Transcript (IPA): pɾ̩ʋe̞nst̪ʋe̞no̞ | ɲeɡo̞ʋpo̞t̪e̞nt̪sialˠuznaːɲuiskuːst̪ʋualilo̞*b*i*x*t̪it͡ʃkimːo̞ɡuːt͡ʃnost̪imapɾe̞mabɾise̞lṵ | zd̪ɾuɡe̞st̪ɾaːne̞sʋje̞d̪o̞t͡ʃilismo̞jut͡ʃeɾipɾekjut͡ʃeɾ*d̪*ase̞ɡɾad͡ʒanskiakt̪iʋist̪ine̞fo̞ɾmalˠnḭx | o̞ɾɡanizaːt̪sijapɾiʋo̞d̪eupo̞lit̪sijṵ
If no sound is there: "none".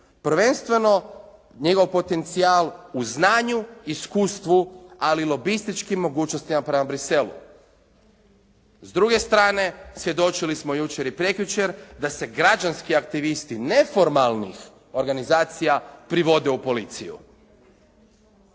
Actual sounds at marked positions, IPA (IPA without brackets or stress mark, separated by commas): b, s, d̪